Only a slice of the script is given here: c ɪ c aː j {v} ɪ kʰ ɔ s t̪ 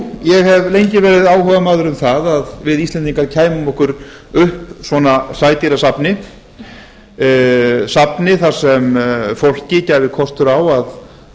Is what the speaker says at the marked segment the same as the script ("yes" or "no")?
yes